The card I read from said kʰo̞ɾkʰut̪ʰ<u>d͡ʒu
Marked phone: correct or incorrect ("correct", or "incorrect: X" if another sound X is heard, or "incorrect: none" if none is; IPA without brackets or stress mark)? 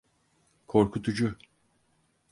correct